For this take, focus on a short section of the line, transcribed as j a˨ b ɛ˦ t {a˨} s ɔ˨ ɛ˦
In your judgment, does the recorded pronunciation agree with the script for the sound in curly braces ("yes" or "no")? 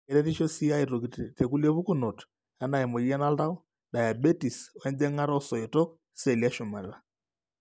no